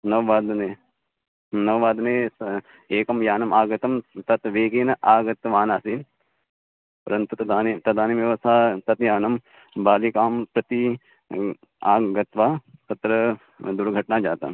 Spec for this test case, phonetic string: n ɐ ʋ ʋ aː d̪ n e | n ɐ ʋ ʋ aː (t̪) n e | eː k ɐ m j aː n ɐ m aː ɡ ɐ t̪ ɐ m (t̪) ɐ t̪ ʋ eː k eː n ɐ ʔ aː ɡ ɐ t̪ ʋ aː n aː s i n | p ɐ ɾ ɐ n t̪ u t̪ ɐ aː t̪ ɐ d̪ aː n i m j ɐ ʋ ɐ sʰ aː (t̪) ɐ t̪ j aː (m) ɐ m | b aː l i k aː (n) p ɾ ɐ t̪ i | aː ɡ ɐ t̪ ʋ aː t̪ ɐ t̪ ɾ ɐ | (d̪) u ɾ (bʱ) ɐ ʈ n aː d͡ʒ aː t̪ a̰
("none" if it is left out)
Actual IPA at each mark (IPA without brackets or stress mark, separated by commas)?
d̪, t̪, t̪, n, m, d̪, ɡʱ